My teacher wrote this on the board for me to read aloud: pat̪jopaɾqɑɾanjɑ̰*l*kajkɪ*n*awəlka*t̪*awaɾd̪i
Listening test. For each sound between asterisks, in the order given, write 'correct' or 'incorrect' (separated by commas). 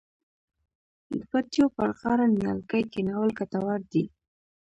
correct, correct, correct